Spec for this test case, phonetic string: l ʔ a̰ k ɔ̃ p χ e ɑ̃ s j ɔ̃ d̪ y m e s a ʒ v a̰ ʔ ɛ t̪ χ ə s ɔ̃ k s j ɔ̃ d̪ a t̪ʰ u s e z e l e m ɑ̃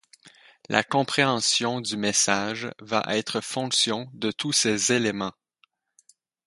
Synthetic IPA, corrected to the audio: l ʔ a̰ k ɔ̃ p χ e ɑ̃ s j ɔ̃ d̪ y m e s a ʒ v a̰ ʔ ɛ t̪ χ ə f ɔ̃ k s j ɔ̃ d̪ ə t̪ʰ u s e z e l e m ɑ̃